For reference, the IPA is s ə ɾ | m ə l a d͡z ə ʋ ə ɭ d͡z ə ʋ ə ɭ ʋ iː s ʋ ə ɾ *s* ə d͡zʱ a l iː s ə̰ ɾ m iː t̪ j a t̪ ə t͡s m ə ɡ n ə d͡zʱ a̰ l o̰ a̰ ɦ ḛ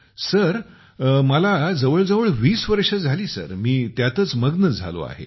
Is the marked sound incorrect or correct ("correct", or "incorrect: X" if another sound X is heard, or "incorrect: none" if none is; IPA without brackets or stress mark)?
incorrect: ʂ